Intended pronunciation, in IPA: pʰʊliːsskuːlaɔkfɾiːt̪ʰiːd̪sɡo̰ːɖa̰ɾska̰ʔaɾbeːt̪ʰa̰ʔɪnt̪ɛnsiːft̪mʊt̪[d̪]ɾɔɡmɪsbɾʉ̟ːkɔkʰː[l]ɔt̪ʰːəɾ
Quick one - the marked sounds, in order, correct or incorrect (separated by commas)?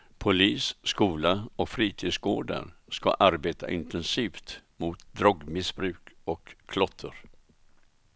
correct, correct